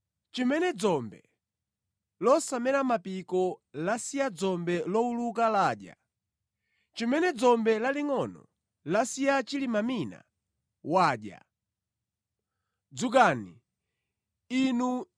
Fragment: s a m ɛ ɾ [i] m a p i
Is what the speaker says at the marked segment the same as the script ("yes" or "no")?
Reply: no